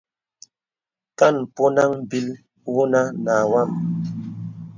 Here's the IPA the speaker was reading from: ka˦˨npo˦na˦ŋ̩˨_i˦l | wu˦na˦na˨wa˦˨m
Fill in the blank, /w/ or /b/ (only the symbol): b